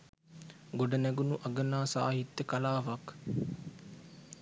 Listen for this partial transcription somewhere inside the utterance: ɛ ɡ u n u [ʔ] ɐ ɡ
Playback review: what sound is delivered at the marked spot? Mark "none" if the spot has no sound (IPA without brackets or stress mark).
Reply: ʔ